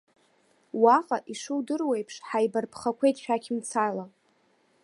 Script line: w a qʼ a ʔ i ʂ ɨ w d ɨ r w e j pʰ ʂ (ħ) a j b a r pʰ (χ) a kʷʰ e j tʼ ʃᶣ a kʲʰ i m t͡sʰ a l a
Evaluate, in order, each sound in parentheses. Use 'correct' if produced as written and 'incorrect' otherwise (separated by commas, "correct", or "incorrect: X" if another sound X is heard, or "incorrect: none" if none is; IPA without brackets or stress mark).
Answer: correct, correct